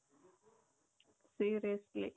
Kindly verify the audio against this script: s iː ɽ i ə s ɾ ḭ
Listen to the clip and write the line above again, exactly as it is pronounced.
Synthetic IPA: s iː ɾ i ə s l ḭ